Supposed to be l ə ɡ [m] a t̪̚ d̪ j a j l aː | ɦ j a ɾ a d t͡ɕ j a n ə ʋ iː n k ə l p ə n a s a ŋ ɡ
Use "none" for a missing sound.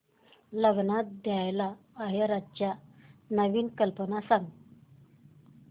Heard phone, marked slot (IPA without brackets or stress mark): n